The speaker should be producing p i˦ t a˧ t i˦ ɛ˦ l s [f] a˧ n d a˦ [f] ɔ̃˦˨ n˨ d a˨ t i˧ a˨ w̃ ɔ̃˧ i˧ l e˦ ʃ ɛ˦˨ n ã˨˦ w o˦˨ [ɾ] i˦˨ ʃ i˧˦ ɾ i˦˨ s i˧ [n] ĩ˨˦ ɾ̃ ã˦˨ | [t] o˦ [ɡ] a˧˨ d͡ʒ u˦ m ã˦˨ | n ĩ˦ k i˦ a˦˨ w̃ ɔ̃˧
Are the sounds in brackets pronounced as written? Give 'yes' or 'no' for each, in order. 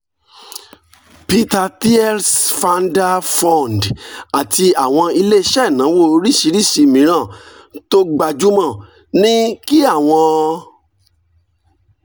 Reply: yes, yes, yes, no, yes, no

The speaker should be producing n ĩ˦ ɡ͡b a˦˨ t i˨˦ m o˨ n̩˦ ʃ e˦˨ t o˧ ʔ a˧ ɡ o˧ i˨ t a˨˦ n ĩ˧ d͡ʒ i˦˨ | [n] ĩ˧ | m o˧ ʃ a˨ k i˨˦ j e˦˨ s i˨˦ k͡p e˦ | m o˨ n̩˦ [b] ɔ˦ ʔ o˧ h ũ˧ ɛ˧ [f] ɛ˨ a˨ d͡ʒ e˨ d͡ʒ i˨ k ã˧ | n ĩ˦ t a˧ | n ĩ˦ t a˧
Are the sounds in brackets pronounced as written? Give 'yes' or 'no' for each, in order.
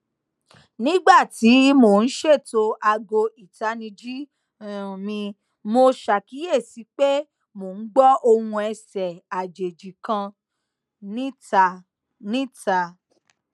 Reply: no, no, no

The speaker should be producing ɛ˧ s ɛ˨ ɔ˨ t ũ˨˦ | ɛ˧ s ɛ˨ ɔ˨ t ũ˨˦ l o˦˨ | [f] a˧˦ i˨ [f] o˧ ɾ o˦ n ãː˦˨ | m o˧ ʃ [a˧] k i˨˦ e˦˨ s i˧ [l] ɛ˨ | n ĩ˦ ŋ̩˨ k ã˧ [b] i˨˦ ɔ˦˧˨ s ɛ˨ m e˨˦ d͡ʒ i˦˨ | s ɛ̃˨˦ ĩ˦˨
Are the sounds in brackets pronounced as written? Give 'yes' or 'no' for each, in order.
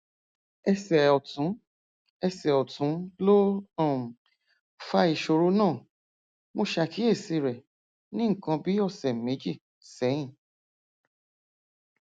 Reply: yes, no, yes, no, yes

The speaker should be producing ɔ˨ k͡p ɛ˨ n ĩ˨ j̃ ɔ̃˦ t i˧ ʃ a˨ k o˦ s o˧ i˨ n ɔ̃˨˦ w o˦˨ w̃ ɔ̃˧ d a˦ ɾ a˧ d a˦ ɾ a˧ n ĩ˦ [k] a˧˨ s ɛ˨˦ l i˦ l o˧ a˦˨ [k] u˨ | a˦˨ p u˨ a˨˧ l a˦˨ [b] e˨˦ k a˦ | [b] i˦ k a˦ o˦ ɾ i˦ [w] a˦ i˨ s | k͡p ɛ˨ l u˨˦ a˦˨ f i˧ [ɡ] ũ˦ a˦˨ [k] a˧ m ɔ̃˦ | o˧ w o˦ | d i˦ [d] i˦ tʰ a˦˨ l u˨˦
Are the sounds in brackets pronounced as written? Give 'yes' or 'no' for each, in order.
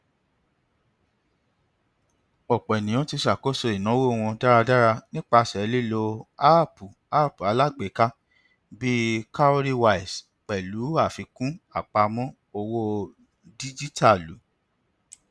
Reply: no, no, no, yes, yes, no, no, no

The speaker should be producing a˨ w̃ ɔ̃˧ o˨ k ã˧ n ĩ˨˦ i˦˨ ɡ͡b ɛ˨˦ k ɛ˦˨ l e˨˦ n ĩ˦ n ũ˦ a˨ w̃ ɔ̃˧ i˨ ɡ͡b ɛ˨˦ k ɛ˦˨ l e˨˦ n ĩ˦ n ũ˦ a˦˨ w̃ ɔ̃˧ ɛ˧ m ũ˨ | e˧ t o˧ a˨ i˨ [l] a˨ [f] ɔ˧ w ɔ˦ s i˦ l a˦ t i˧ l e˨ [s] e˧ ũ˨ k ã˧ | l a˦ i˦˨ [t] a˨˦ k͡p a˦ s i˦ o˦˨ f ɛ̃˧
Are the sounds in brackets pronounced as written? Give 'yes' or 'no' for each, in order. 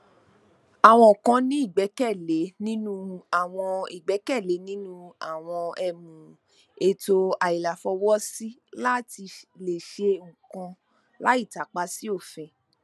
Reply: yes, yes, no, yes

